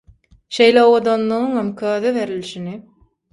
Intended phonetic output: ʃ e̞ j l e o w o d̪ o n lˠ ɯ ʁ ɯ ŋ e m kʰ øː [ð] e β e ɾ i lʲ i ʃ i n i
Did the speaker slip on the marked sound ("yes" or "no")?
no